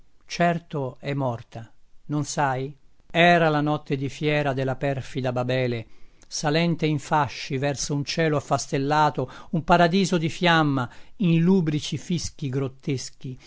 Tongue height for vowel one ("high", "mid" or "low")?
mid